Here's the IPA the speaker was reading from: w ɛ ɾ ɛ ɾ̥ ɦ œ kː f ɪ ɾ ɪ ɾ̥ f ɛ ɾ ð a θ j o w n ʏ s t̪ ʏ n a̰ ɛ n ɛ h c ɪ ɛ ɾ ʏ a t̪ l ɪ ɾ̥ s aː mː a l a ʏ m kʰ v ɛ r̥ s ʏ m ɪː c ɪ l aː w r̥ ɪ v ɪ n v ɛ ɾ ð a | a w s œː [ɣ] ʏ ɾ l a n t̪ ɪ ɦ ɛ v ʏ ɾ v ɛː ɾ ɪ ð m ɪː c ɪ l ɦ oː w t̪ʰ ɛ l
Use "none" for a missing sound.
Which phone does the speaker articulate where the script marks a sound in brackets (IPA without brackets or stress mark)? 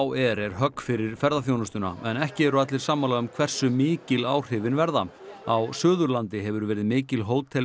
ð